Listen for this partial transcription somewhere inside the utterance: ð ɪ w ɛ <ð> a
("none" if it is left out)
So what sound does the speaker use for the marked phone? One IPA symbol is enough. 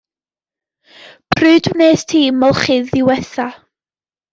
θ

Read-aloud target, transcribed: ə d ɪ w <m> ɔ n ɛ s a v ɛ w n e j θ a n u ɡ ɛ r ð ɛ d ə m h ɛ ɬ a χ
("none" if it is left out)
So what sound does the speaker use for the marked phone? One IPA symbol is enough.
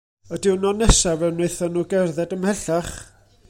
n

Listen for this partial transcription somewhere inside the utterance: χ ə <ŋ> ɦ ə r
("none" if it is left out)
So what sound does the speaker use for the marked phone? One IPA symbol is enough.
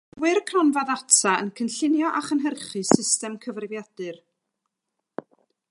n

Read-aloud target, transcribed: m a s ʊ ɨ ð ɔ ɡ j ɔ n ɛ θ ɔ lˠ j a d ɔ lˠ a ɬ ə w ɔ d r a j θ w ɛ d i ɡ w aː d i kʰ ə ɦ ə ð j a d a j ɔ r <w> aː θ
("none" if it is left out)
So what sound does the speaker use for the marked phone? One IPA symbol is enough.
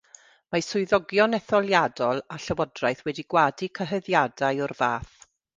v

